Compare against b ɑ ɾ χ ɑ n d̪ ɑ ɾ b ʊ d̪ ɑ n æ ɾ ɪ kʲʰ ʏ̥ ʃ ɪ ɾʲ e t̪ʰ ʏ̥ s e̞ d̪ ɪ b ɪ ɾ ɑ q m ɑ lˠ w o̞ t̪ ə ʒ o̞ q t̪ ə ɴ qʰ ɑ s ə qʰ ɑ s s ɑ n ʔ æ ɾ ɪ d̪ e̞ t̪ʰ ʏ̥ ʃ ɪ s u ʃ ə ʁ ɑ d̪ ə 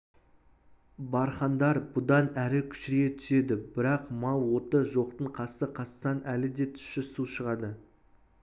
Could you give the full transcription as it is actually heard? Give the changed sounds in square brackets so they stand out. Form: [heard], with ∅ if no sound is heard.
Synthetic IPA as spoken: b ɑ ɾ χ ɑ n d̪ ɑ ɾ b ʊ d̪ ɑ n æ ɾ ɪ kʲʰ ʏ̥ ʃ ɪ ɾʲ e t̪ʰ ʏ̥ s e̞ d̪ ɪ b ɪ ɾ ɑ q m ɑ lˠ w o̞ t̪ ə ʒ o̞ q t̪ ə ɴ qʰ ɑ s ə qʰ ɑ s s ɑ n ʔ æ [l] ɪ d̪ e̞ t̪ʰ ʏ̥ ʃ ɪ s u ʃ ə ʁ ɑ d̪ ə